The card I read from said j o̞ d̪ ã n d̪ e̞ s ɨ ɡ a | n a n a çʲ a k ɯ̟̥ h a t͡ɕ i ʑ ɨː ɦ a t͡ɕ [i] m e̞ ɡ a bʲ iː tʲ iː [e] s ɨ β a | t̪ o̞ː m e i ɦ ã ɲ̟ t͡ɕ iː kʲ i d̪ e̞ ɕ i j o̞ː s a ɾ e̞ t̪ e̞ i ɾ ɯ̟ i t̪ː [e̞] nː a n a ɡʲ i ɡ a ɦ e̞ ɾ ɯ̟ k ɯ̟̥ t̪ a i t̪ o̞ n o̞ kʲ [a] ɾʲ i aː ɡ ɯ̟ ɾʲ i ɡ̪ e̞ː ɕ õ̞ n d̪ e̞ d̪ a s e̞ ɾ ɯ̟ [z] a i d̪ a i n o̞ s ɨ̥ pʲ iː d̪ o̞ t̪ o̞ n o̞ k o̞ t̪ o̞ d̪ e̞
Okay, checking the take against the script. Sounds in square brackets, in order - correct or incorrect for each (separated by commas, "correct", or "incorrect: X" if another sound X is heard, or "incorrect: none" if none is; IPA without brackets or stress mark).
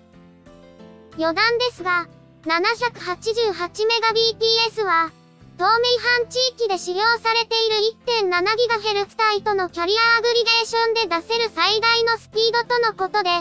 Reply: correct, correct, incorrect: ẽ̞, correct, incorrect: s